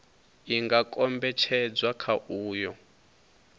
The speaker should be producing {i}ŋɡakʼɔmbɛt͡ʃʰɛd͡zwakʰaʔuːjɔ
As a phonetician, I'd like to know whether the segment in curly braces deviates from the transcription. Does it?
no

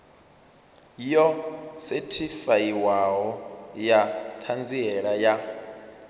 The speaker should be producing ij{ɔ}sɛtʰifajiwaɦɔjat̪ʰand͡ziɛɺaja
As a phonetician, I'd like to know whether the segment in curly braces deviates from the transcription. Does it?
no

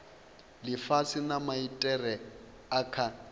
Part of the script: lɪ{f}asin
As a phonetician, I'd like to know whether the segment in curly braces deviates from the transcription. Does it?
no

